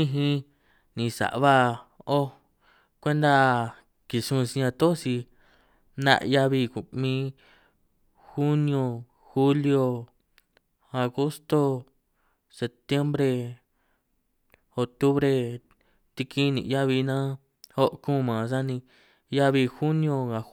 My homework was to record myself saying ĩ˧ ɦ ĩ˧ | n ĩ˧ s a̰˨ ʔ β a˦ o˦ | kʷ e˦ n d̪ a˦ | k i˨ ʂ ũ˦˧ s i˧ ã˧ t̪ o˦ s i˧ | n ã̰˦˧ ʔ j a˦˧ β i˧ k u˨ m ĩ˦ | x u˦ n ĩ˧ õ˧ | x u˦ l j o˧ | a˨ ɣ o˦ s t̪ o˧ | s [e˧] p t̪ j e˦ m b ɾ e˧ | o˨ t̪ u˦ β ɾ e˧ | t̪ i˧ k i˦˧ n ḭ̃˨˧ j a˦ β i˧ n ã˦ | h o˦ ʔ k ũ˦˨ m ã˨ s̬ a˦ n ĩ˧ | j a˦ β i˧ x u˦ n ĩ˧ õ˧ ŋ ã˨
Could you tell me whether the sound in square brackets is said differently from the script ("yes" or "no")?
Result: no